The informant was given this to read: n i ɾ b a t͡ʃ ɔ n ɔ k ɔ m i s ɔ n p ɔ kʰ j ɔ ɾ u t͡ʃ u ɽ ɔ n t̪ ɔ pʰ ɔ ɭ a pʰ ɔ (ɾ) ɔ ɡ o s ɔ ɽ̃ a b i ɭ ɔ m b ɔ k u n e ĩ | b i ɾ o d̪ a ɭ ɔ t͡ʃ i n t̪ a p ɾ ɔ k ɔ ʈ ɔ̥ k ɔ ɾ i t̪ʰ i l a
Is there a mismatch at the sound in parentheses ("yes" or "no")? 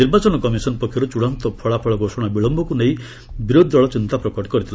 yes